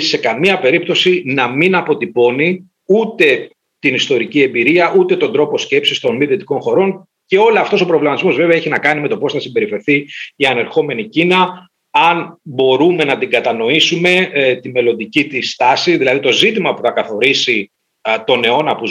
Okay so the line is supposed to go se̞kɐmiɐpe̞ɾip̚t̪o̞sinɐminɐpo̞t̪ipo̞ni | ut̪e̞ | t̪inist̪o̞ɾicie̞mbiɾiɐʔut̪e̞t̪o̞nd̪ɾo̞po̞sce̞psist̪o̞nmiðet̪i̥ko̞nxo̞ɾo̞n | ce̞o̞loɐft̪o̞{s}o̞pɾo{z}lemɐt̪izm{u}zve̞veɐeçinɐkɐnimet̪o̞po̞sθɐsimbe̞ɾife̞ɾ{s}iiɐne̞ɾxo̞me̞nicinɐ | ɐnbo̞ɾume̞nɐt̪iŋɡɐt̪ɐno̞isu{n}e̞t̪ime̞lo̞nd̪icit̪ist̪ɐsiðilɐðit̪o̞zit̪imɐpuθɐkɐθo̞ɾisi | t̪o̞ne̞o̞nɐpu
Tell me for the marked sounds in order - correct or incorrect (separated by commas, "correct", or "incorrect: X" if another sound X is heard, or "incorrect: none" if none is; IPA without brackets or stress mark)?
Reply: correct, incorrect: v, incorrect: o, incorrect: θ, incorrect: m